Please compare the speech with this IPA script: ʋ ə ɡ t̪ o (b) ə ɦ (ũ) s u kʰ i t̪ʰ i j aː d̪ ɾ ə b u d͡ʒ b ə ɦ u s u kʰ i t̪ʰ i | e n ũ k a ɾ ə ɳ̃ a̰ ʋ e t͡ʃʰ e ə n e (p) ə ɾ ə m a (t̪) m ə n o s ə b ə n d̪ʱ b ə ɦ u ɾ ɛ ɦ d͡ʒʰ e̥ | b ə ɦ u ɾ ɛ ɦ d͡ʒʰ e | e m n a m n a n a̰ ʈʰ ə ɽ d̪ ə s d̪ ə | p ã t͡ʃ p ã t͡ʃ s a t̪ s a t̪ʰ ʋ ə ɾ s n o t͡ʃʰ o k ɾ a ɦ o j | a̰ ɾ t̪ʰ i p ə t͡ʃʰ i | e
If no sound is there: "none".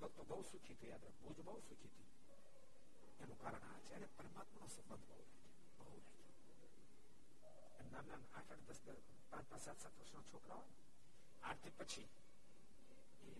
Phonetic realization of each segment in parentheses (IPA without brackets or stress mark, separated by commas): b, u, p, t̪